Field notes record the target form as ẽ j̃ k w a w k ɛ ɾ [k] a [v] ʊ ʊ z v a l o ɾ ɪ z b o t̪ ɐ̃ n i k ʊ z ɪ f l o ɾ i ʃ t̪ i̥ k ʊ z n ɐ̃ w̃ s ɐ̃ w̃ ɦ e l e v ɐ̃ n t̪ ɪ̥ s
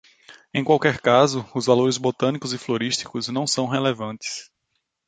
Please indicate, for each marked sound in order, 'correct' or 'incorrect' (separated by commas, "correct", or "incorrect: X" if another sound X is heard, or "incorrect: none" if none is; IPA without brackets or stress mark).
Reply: correct, incorrect: z